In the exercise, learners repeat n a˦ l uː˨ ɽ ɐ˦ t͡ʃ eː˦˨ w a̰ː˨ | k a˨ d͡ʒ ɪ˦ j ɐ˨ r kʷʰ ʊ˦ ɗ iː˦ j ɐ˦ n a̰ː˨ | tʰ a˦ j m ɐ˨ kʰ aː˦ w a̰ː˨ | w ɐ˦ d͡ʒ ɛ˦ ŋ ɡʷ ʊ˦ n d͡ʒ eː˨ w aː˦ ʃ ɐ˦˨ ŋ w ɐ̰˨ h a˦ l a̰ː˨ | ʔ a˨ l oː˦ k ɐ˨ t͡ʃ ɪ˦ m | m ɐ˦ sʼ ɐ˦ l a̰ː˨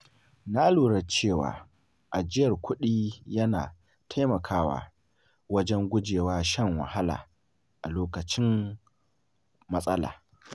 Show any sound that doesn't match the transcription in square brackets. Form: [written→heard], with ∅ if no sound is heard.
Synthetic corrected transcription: n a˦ l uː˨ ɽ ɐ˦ t͡ʃ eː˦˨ w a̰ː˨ | [k→ʔ] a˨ d͡ʒ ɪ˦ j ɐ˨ r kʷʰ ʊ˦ ɗ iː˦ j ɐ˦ n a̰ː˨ | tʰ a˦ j m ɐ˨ kʰ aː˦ w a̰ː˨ | w ɐ˦ d͡ʒ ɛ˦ ŋ ɡʷ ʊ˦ [n→∅] d͡ʒ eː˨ w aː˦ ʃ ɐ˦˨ ŋ w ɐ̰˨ h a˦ l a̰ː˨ | ʔ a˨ l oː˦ k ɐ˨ t͡ʃ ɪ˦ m | m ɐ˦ sʼ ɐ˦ l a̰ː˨